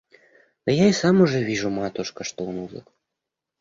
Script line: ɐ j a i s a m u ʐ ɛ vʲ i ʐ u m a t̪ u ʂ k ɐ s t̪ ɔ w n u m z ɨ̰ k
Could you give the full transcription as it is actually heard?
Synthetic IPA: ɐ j a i s a m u ʐ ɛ vʲ i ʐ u m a t̪ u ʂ k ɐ ʂ t̪ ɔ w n u z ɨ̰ k